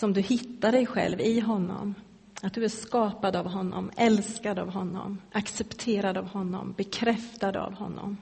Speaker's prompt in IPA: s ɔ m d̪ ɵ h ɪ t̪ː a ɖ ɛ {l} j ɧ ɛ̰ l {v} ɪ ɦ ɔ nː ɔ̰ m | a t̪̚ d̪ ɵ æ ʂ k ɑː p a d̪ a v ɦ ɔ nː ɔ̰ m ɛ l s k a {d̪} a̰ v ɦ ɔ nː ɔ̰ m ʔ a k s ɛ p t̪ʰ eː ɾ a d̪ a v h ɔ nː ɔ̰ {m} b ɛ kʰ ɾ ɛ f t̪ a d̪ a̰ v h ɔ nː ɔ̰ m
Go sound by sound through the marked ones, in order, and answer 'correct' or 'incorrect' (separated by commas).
incorrect, correct, correct, correct